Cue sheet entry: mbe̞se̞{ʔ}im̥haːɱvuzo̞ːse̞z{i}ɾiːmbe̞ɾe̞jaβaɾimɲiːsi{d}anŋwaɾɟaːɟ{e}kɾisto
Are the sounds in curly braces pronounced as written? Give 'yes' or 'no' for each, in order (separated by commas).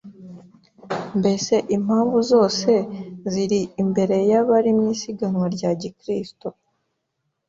yes, yes, no, no